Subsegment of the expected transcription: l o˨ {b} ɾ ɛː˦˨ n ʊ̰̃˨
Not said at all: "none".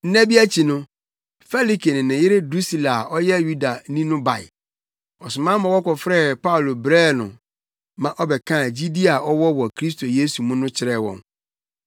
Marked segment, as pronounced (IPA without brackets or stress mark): b